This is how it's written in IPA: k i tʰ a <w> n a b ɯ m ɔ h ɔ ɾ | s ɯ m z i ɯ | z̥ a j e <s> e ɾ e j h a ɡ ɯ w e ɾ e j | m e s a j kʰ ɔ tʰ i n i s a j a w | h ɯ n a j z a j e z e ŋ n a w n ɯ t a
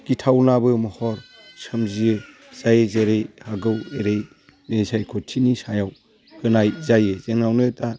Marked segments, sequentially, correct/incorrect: correct, incorrect

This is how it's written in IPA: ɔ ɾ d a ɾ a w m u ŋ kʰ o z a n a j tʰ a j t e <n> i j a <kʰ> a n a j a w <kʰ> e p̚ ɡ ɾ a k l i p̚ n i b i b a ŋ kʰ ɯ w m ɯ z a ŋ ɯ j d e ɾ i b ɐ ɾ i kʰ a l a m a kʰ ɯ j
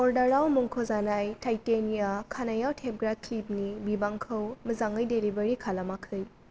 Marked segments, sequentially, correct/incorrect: correct, correct, incorrect

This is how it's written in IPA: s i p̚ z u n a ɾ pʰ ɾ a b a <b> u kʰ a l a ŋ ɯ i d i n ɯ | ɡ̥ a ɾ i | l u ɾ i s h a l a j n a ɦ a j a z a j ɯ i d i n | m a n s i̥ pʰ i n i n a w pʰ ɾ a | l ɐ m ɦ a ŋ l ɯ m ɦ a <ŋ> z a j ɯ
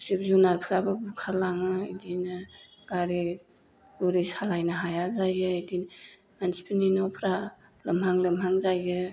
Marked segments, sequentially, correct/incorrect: correct, correct

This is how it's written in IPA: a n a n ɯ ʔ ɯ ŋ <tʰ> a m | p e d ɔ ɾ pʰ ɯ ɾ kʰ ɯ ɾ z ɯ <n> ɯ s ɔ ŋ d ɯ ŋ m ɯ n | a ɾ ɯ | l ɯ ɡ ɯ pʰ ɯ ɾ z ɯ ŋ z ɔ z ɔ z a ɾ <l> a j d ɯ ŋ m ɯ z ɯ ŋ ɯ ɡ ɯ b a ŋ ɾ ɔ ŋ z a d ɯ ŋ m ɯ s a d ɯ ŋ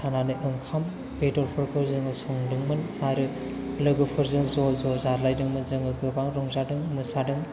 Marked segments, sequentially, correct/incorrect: incorrect, incorrect, correct

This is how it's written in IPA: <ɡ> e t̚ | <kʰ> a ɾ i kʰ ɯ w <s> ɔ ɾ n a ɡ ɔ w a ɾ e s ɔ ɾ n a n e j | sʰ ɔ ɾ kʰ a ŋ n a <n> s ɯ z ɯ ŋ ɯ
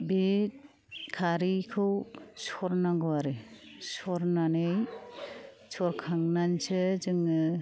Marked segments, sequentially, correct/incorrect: incorrect, correct, correct, correct

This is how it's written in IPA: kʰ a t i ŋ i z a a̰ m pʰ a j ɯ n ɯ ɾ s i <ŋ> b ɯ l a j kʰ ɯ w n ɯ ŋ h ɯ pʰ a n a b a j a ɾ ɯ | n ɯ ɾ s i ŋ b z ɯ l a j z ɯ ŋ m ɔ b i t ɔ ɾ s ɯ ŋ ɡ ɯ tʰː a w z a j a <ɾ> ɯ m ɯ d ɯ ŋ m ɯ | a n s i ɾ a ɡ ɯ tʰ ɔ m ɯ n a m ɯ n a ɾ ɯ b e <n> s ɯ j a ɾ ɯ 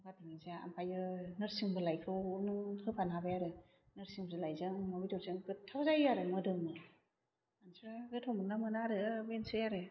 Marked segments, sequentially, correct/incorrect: correct, correct, correct

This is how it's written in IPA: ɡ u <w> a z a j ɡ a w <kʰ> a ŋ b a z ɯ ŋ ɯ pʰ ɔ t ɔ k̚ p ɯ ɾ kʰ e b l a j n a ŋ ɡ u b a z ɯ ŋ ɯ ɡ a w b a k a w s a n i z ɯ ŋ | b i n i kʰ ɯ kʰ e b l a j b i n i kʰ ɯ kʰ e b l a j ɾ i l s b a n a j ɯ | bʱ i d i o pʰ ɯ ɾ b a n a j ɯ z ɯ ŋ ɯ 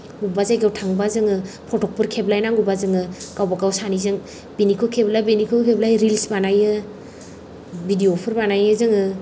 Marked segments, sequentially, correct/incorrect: incorrect, incorrect

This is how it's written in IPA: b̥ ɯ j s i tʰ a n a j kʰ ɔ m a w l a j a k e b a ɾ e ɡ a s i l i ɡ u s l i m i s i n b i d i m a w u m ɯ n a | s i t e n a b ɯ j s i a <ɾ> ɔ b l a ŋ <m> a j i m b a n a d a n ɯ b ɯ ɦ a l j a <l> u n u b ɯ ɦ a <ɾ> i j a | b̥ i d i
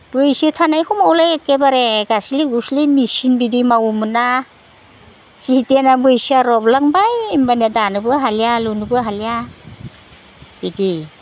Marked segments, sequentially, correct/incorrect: correct, incorrect, correct, incorrect

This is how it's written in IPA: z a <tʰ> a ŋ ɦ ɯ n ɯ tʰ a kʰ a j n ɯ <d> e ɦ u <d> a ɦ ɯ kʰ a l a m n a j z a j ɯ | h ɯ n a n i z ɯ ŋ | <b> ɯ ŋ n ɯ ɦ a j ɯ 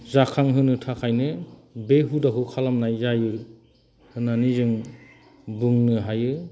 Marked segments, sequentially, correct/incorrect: incorrect, incorrect, correct, correct

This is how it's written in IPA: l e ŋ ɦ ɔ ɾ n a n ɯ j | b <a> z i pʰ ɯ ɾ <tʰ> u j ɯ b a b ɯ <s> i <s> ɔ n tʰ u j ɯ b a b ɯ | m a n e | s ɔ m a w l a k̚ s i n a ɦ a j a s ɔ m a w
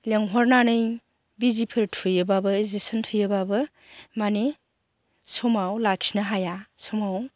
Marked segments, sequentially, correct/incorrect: incorrect, correct, incorrect, correct

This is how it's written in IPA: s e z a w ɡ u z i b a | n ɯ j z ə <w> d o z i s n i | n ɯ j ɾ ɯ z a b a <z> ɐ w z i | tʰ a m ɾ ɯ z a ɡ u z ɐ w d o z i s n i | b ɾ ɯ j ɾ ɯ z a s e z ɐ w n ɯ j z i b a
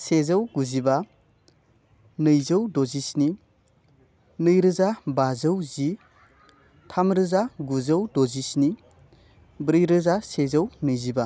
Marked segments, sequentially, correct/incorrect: correct, correct

